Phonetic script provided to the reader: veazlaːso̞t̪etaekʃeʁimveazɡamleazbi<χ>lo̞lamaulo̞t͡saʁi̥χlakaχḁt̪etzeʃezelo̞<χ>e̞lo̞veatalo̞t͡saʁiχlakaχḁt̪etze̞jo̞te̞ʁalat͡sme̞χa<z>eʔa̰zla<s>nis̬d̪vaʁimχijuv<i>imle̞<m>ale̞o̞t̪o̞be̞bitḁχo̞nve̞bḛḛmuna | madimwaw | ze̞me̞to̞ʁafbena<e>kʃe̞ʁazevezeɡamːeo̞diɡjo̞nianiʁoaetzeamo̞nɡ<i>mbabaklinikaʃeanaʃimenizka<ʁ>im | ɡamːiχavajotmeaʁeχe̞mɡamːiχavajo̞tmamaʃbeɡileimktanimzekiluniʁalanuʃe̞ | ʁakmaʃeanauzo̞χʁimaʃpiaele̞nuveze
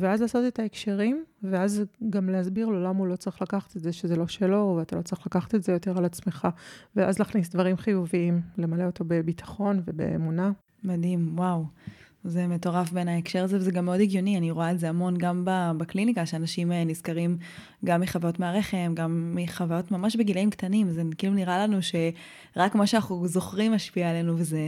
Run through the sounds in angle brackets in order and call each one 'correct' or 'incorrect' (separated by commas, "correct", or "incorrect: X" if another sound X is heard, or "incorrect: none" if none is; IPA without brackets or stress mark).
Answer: incorrect: ʁ, incorrect: ʃ, incorrect: v, incorrect: χ, correct, correct, correct, incorrect: a, correct